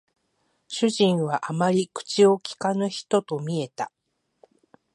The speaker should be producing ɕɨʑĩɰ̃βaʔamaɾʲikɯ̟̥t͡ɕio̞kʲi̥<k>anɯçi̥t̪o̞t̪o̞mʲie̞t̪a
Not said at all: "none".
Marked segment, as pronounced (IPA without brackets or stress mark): k